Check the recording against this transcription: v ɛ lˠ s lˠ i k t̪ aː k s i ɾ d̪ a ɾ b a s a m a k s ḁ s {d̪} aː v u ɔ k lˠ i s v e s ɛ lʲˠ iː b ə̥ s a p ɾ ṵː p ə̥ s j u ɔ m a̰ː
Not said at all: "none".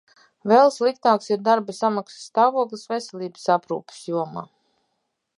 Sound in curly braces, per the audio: t̪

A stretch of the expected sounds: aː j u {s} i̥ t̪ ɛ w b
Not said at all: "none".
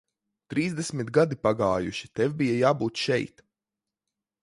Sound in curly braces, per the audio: ʃ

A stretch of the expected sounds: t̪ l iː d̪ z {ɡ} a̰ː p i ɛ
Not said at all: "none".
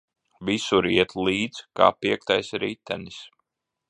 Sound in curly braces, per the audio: k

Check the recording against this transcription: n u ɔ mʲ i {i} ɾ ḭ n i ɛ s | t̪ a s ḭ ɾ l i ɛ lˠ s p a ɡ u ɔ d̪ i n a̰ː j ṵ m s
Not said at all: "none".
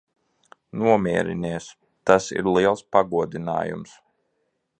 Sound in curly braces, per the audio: ɛ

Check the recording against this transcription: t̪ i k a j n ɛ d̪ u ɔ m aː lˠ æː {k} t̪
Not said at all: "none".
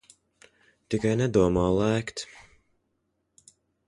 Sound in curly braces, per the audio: k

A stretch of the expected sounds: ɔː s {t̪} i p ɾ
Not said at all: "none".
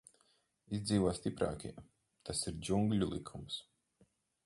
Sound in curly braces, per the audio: t̪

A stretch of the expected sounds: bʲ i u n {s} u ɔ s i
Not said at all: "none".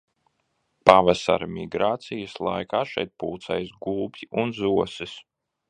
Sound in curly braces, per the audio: z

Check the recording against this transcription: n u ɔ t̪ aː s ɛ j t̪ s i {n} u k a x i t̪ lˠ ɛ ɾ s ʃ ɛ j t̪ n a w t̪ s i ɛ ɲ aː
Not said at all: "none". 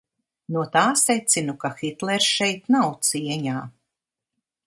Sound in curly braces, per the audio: n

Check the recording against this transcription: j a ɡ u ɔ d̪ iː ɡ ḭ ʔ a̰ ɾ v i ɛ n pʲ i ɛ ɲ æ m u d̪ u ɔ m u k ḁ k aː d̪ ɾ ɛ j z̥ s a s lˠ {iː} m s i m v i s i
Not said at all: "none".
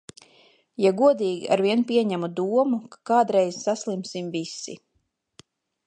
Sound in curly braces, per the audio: i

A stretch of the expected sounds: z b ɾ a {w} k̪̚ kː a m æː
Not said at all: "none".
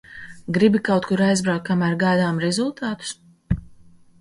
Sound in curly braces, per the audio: w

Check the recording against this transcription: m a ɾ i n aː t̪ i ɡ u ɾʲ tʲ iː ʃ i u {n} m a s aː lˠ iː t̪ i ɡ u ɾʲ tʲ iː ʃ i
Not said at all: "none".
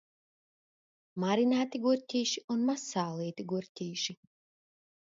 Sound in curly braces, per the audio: n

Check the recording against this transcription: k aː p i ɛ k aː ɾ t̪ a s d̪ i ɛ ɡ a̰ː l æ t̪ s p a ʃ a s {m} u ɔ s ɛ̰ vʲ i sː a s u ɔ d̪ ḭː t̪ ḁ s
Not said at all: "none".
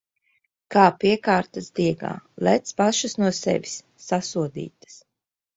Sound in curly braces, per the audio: n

